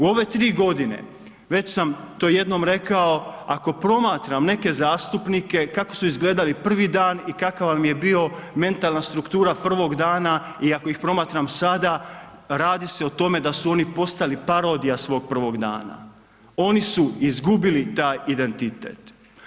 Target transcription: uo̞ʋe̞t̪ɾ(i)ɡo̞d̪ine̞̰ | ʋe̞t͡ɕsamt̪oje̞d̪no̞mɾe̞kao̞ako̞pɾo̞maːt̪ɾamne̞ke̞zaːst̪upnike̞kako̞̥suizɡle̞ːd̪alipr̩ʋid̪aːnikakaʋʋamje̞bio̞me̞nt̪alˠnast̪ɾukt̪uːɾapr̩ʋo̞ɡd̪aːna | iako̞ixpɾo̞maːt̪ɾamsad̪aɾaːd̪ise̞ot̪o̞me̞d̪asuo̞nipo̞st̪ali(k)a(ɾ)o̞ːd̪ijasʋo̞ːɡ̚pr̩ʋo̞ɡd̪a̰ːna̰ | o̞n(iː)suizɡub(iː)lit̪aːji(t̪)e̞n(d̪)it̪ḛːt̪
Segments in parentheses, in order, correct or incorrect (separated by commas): incorrect, incorrect, correct, incorrect, incorrect, incorrect, incorrect